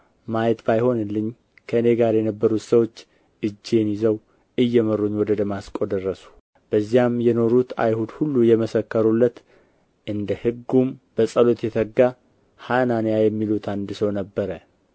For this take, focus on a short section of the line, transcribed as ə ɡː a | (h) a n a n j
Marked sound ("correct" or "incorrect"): correct